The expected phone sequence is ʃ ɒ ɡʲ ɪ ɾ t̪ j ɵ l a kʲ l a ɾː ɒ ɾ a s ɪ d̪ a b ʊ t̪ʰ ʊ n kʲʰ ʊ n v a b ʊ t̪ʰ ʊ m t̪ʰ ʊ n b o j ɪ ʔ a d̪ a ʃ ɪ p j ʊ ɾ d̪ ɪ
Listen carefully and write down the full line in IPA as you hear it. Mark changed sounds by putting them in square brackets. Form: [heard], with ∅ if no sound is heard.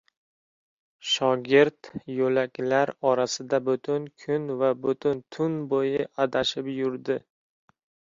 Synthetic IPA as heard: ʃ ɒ ɡʲ ɪ ɾ t̪ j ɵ l a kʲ l a [ɾ] ɒ ɾ a s ɪ d̪ a b ʊ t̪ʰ ʊ n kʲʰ ʊ n v a b ʊ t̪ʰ ʊ [n] t̪ʰ ʊ n b o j ɪ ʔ a d̪ a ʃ ɪ p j ʊ ɾ d̪ ɪ